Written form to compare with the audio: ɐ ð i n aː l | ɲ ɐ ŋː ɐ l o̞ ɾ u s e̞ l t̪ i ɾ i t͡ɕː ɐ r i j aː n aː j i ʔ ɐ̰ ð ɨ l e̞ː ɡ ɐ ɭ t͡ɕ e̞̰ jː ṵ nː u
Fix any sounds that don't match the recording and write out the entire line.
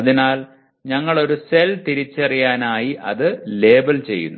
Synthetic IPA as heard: ɐ ð i n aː l | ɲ ɐ ŋː ɐ ɭ o̞ ɾ u s e̞ l t̪ i ɾ i t͡ɕː ɐ r i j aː n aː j i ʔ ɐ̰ ð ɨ l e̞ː b ɐ l t͡ɕ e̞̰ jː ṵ nː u